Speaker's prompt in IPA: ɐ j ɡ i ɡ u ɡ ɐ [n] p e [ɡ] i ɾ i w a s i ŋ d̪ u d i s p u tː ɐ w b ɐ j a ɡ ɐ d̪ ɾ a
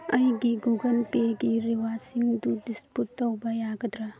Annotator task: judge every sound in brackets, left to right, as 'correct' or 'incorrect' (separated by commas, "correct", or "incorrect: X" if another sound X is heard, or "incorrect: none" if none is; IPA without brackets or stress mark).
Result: correct, correct